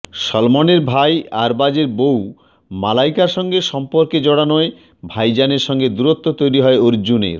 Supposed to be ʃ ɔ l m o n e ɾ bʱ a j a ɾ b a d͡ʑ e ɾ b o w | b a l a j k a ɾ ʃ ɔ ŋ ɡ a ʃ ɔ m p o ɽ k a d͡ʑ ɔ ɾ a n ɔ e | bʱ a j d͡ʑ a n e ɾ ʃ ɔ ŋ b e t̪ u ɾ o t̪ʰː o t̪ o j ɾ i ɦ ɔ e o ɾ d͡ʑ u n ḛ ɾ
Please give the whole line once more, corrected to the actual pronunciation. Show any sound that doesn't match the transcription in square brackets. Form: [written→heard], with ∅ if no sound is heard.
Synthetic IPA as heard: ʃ ɔ l m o n e ɾ bʱ a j a ɾ b a d͡ʑ e ɾ b o w | [b→m] a l a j k a ɾ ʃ ɔ ŋ ɡ [a→e] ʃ ɔ m p o [ɽ→ɾ] k [a→e] d͡ʑ ɔ [ɾ→ɽ] a n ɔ e | bʱ a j d͡ʑ a n e ɾ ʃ ɔ ŋ [b→ɡ] e [t̪→d̪] u ɾ o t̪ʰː o t̪ o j ɾ i ɦ ɔ e o ɾ d͡ʑ u n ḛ ɾ